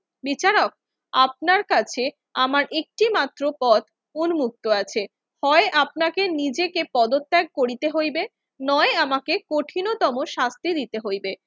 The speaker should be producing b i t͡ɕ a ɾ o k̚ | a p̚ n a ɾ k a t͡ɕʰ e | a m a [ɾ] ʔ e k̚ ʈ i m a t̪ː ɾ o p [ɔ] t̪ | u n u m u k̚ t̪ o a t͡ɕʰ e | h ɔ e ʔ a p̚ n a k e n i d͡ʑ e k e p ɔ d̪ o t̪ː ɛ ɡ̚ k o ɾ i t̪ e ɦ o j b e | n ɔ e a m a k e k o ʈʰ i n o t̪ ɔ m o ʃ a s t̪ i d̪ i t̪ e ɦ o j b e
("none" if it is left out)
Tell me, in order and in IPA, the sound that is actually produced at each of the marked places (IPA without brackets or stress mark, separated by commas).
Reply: ɾ, ɔ